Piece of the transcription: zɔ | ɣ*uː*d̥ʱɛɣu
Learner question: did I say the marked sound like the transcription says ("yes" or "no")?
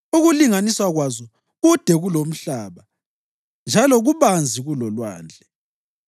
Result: no